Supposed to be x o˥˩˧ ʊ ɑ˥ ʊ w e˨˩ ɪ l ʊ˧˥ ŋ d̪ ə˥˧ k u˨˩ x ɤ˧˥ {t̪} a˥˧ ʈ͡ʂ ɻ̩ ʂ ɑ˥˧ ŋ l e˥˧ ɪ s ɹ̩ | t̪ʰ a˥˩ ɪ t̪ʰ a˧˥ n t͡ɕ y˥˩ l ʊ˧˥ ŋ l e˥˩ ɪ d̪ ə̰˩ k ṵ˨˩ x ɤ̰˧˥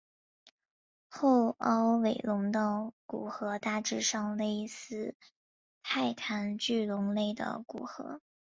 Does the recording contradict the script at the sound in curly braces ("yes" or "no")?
no